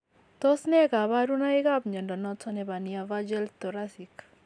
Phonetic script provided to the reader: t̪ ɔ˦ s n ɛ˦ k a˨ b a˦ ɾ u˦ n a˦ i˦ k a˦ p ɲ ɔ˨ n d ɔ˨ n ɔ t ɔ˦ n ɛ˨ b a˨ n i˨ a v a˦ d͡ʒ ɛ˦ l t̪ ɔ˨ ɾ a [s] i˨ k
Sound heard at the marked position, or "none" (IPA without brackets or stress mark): s